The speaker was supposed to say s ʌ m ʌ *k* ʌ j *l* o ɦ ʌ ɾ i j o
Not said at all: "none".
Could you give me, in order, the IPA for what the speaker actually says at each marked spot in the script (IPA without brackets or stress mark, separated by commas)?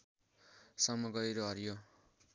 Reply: ɡ, ɾ